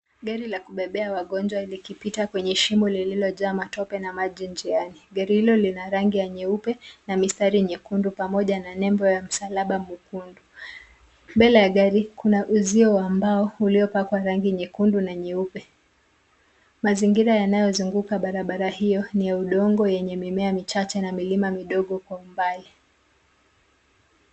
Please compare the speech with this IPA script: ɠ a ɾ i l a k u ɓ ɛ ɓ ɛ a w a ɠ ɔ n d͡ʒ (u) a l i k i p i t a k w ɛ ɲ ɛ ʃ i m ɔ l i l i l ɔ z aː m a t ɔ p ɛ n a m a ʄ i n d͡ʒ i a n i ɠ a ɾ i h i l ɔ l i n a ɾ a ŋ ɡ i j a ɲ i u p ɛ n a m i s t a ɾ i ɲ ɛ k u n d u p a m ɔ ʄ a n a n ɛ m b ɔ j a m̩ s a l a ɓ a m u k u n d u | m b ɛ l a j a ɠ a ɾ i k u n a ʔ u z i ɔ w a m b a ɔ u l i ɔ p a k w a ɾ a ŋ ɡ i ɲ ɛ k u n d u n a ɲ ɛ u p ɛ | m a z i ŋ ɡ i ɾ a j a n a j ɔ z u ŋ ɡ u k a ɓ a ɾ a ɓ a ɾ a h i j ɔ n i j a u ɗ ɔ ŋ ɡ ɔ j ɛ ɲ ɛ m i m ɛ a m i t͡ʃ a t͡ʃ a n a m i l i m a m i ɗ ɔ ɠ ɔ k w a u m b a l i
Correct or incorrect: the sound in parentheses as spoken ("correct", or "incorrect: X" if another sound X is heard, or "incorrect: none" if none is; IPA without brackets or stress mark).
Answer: incorrect: w